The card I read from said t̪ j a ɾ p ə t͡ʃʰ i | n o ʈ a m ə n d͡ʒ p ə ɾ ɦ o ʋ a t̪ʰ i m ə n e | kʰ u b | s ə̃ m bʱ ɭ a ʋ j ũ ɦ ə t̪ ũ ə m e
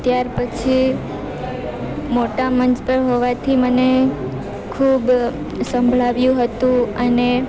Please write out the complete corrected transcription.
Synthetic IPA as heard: t̪ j a ɾ p ə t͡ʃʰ i | m o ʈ a m ə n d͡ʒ p ə ɾ ɦ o ʋ a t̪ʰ i m ə n e | kʰ u b | s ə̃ m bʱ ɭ a ʋ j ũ ɦ ə t̪ ũ ə n e